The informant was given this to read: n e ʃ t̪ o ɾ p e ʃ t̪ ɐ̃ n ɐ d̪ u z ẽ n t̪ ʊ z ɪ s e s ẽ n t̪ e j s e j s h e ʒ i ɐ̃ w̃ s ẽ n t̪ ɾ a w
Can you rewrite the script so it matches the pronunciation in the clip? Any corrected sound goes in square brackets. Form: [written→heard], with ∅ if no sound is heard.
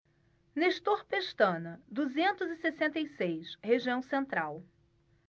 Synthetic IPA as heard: n e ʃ t̪ o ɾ p e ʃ t̪ ɐ̃ n ɐ d̪ u z ẽ n t̪ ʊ z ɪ s e s ẽ n t̪ e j s e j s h e ʒ i ɐ̃ w̃ s ẽ n t̪ ɾ a w